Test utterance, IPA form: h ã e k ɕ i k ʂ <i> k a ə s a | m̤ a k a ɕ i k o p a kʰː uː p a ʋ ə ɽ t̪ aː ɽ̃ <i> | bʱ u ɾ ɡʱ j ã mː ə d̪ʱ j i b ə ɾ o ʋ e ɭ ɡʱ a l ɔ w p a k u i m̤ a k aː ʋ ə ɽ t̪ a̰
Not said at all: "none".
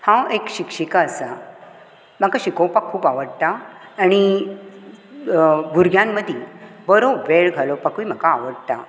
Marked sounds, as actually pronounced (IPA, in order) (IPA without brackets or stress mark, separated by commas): i, i